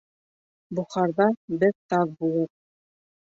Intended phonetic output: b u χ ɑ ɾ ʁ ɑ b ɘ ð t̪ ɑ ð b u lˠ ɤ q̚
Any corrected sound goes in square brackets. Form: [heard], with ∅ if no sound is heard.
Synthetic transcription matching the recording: b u χ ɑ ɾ [ð] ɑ b ɘ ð t̪ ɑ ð b u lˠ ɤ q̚